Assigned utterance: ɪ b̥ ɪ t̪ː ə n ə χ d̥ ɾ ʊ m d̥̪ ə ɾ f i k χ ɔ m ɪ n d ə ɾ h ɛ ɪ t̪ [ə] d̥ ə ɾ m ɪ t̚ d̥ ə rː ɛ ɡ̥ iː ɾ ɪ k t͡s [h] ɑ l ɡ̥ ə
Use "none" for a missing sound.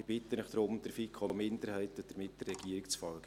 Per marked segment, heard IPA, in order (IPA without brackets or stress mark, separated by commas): ə, f